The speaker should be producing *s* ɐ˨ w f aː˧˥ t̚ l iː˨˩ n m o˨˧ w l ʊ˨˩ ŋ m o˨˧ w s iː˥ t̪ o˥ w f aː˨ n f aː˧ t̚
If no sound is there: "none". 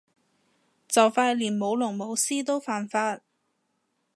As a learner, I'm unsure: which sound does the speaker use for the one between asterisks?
t͡s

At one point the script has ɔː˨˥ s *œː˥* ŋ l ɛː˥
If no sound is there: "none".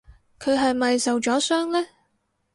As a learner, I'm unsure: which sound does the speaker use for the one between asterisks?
œː˥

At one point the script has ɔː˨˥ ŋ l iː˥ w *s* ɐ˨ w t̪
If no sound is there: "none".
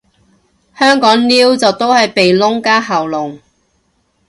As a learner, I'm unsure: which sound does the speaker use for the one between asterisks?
t͡s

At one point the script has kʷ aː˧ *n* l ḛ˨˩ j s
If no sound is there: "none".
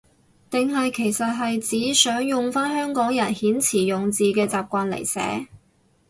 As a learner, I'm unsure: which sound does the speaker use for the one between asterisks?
n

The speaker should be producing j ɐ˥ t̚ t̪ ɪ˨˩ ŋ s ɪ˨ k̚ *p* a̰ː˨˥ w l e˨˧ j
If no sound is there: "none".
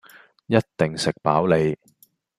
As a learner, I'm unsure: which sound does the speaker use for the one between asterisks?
p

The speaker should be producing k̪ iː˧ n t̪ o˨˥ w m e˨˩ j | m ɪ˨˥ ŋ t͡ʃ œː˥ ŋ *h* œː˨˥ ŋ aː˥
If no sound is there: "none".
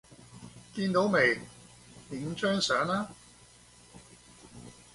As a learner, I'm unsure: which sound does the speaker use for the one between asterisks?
s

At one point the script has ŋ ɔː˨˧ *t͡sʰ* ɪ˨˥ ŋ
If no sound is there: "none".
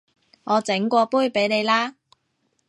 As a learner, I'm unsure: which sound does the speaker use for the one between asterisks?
t͡s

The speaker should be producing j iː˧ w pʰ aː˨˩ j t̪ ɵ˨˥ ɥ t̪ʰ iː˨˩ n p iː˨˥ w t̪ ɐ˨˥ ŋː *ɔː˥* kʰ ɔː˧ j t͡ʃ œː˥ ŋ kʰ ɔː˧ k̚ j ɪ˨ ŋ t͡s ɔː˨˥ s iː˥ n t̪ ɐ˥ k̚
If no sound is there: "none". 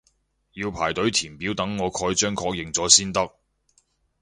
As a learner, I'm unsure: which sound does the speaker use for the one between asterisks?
ɔː˨˧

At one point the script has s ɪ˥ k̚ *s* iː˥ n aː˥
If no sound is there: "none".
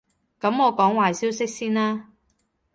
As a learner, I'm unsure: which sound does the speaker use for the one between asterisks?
s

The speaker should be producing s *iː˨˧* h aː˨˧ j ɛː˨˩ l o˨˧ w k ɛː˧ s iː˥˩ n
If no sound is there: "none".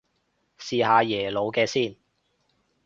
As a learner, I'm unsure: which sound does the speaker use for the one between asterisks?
iː˨˧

